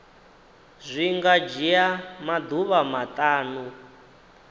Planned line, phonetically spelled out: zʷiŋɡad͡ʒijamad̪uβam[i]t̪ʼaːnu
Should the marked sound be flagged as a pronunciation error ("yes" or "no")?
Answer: yes